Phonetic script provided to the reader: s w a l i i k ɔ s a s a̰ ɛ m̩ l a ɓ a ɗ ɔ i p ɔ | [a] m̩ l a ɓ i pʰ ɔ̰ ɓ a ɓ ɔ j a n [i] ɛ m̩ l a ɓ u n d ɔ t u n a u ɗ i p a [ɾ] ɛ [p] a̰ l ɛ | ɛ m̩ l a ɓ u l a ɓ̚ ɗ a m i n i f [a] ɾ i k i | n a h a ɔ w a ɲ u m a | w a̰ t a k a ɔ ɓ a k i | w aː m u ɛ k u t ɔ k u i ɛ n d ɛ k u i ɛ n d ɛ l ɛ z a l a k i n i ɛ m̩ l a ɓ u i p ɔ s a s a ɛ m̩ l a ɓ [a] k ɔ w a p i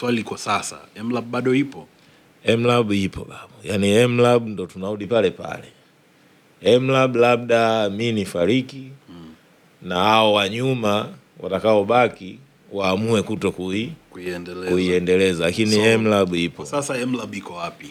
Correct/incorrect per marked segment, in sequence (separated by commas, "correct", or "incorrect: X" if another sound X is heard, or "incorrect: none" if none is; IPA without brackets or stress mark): incorrect: ɛ, correct, incorrect: l, correct, correct, incorrect: i